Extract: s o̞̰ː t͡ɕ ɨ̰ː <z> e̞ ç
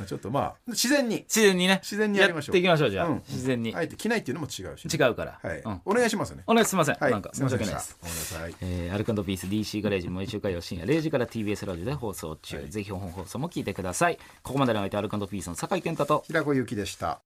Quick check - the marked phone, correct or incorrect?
correct